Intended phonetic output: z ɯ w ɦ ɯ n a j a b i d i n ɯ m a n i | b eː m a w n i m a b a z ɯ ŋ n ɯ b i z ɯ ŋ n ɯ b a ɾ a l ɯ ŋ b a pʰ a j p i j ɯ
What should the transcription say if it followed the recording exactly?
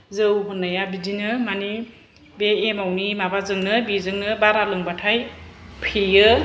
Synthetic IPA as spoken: z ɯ w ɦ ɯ n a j a b i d i n ɯ m a n i | b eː m a w n i m a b a z ɯ ŋ n ɯ b i z ɯ ŋ n ɯ b a ɾ a l ɯ ŋ b a tʰ a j pʰ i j ɯ